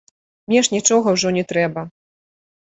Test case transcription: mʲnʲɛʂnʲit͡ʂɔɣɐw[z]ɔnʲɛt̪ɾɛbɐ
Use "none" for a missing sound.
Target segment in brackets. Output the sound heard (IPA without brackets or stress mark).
ʐ